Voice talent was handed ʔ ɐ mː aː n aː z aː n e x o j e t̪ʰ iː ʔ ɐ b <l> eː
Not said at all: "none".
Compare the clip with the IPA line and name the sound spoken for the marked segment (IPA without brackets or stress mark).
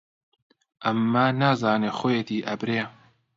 ɾ